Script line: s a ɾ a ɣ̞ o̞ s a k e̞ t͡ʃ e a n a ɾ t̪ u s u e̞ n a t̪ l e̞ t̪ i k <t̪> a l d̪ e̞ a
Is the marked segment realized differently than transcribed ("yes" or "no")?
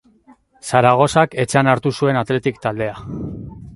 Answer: no